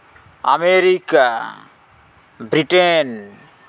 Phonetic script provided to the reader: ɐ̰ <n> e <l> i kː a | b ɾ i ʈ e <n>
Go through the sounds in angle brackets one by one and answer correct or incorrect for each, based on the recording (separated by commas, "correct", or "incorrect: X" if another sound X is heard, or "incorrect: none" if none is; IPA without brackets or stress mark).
incorrect: m, incorrect: ɾ, correct